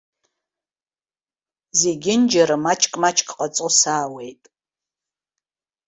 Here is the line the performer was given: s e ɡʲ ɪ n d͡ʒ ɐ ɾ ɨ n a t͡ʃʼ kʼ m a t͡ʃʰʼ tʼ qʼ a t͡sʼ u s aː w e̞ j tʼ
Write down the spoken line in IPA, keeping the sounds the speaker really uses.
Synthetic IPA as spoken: z e ɡʲ ɪ n d͡ʒ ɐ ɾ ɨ m a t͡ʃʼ kʼ m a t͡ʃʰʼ kʼ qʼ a t͡sʼ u s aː w e̞ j tʼ